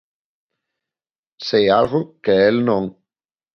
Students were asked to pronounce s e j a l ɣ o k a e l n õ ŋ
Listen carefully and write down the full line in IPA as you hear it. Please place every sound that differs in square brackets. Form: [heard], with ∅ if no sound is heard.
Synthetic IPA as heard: s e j a l ɣ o k [e] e l n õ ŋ